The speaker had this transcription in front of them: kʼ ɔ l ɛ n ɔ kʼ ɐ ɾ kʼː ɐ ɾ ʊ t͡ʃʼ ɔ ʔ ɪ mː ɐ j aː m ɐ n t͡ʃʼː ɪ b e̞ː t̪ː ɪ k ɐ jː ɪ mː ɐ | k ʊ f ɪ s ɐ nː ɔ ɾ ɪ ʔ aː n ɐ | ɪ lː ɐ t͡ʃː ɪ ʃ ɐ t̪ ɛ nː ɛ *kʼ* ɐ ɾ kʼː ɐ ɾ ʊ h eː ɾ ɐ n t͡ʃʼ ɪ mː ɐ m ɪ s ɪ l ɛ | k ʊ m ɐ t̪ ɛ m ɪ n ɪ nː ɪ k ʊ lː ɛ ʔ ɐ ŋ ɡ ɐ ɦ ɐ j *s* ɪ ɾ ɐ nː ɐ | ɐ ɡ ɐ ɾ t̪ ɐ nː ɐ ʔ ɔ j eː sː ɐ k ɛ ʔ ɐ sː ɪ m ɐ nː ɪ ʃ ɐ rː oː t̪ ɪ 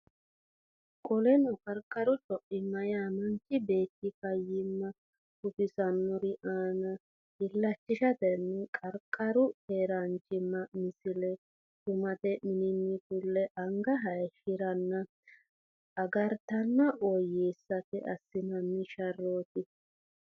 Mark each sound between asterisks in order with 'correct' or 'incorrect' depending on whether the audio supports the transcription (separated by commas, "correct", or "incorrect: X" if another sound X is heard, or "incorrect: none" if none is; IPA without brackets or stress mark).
correct, incorrect: ʃ